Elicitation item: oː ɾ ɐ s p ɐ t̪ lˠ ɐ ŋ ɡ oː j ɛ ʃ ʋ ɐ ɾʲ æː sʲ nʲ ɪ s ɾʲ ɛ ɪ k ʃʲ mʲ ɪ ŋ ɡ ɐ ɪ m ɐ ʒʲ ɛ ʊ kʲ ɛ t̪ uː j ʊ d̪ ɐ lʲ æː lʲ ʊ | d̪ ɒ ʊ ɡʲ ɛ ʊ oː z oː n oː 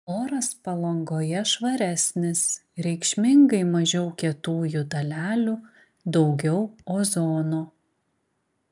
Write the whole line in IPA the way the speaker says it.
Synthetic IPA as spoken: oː ɾ ɐ s p ɐ lˠ ɐ ŋ ɡ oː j ɛ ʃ ʋ ɐ ɾʲ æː sʲ nʲ ɪ s ɾʲ ɛ ɪ k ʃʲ mʲ ɪ ŋ ɡ ɐ ɪ m ɐ ʒʲ ɛ ʊ kʲ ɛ t̪ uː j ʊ d̪ ɐ lʲ æː lʲ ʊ | d̪ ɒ ʊ ɡʲ ɛ ʊ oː z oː n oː